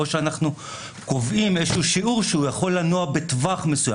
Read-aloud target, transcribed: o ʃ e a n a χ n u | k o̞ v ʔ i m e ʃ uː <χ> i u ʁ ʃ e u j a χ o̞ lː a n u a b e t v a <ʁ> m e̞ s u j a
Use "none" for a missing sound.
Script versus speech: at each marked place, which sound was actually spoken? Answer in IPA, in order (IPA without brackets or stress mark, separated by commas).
ʃ, χ